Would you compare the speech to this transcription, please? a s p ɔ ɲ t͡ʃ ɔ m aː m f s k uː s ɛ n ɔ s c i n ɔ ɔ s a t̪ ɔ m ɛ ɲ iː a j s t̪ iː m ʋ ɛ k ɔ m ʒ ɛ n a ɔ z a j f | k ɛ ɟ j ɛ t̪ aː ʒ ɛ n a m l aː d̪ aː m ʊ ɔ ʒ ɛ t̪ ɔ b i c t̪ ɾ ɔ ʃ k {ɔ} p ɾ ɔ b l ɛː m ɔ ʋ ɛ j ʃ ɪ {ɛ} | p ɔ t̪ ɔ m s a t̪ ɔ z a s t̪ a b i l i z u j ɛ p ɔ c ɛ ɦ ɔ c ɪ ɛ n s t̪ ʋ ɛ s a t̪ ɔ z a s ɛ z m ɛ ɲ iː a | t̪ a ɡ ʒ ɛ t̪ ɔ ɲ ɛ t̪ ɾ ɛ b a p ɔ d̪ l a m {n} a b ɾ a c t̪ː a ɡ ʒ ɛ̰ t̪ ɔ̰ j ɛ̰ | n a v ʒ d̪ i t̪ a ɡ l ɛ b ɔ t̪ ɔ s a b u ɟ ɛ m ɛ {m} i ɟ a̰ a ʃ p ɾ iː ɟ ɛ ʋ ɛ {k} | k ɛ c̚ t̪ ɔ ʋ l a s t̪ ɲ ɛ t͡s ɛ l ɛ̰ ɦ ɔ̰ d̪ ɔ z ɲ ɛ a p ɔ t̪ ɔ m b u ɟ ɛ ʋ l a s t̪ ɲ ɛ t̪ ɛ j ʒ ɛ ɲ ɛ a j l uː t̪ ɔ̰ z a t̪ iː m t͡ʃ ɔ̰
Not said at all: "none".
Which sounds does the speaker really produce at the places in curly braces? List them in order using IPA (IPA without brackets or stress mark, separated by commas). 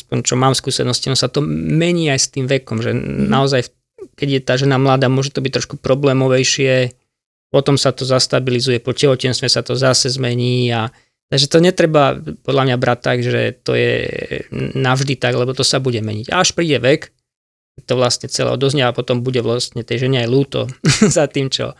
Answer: u, ɛ, ɲ, ɲ, k